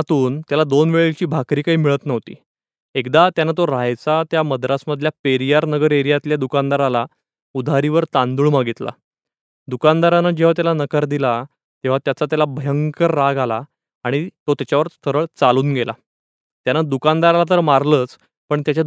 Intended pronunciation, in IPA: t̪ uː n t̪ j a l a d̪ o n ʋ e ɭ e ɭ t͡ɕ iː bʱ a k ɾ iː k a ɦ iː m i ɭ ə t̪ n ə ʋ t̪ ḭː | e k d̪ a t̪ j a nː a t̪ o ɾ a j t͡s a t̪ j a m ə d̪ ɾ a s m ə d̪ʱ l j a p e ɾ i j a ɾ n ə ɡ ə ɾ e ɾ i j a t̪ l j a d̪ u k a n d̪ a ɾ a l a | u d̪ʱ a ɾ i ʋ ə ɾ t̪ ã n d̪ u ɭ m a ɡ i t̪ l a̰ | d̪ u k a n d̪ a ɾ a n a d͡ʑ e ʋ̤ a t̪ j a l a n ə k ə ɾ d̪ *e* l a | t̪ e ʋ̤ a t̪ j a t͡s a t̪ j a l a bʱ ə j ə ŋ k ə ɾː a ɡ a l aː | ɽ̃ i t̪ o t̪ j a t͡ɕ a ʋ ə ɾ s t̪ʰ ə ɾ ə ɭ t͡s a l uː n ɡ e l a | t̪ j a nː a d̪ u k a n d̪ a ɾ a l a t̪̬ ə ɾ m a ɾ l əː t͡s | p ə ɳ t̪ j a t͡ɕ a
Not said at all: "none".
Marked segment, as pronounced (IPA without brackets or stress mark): i